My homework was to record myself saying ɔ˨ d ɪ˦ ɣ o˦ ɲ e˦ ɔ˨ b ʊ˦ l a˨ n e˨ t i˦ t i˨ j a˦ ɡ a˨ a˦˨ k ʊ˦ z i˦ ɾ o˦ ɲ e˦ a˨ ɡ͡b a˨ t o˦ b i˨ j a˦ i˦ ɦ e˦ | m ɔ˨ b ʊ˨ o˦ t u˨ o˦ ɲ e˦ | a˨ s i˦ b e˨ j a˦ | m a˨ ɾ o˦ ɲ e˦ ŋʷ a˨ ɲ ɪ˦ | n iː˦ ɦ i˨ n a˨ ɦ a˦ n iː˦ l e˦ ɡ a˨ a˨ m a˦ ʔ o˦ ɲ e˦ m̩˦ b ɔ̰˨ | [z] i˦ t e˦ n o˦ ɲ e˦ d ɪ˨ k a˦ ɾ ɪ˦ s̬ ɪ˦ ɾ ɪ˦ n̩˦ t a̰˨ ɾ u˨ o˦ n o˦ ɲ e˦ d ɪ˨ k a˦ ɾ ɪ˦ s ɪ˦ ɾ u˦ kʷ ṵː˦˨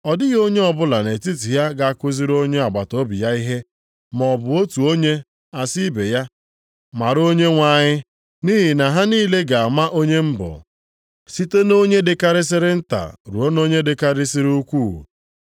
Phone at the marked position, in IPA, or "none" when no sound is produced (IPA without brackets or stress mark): s